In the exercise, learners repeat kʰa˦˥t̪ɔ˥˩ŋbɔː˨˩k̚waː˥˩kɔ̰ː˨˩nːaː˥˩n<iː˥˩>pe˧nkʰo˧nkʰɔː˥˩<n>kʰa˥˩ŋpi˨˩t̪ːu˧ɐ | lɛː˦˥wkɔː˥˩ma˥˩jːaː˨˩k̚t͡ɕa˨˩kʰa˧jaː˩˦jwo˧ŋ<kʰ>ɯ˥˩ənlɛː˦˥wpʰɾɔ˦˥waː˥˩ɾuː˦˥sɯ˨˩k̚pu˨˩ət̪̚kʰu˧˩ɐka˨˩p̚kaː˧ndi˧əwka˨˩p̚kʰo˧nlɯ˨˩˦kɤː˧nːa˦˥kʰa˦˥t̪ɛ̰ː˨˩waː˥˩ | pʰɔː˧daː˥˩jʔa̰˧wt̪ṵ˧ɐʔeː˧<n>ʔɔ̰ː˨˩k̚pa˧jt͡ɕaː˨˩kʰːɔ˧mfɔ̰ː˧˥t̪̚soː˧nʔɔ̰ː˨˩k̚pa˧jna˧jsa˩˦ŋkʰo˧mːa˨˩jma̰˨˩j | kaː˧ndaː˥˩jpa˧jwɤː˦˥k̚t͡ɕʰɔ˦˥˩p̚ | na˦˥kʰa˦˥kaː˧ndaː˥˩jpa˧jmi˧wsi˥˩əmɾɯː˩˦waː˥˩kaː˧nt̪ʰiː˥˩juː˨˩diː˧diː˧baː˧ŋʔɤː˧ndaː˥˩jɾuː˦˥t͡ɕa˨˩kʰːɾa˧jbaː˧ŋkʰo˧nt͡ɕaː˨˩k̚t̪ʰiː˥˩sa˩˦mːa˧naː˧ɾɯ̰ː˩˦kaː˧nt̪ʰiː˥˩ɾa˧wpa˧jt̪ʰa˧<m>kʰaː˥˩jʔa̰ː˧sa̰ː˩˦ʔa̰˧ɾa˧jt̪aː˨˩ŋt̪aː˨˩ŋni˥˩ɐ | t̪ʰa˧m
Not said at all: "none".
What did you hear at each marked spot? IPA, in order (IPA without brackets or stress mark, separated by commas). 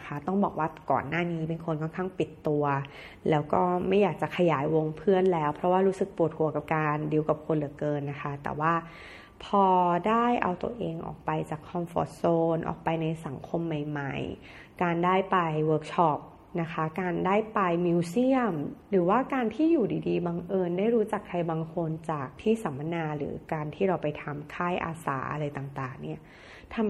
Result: iː˦˥, n, pʰ, ŋ, m